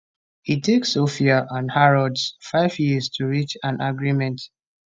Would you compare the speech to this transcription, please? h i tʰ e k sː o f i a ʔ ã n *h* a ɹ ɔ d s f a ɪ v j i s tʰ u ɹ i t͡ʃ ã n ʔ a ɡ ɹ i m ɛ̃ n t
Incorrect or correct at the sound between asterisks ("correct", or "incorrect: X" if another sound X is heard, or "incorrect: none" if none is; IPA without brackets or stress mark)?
correct